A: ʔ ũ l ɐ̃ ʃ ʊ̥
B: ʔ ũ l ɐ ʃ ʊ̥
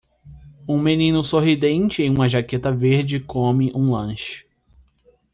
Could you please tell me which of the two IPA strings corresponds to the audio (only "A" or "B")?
A